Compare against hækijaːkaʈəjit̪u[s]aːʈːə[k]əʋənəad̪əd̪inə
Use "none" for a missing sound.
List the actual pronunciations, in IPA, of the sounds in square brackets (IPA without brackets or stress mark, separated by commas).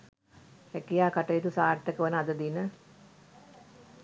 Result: s, k